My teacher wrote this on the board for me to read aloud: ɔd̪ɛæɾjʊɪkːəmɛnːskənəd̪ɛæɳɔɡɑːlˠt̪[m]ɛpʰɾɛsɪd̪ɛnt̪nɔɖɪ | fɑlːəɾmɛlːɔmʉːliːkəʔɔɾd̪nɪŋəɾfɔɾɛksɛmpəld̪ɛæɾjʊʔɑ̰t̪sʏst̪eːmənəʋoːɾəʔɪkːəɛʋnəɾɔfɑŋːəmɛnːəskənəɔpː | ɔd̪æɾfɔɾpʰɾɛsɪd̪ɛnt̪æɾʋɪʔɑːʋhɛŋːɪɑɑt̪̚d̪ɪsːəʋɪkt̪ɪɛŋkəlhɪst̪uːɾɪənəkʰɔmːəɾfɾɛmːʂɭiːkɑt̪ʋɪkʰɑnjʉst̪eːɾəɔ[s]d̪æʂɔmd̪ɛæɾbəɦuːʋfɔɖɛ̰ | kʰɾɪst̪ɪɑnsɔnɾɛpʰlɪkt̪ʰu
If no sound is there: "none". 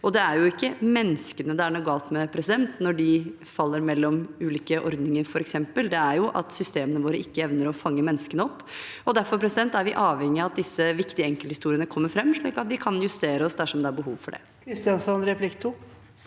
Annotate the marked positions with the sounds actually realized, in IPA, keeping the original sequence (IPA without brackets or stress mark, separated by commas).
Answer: m, s